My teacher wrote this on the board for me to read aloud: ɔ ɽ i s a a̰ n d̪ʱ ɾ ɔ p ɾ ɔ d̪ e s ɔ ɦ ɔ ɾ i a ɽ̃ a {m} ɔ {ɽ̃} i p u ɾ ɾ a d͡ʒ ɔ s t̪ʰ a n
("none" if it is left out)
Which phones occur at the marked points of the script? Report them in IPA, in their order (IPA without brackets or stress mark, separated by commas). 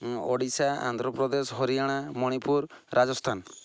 m, ɽ̃